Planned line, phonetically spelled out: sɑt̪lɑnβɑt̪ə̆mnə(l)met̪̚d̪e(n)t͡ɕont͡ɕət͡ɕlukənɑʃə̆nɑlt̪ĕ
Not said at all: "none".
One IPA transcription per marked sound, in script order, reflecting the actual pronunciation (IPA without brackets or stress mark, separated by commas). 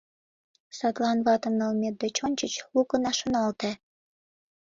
l, none